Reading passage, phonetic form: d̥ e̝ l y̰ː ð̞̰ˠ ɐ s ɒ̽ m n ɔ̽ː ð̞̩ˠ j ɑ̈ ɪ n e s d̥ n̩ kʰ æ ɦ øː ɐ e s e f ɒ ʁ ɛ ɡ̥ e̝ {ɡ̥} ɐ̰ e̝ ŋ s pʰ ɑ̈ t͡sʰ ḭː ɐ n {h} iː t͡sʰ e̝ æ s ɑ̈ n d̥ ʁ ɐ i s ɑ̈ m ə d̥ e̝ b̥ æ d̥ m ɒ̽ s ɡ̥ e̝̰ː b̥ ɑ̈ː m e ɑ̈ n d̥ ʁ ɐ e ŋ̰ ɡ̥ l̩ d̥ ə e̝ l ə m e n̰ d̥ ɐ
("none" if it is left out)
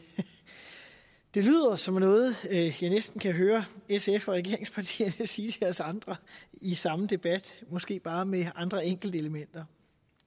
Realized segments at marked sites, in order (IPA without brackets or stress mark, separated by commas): none, s